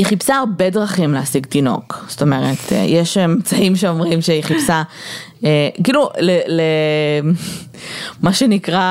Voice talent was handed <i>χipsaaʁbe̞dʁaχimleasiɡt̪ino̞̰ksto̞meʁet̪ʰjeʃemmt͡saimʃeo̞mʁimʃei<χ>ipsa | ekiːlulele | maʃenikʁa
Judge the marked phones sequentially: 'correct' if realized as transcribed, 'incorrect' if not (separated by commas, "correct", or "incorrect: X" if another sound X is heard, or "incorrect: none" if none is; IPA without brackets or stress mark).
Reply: correct, correct